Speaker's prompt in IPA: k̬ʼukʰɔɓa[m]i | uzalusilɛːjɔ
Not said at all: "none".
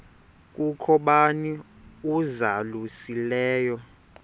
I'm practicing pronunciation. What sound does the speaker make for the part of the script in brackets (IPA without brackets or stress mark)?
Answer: n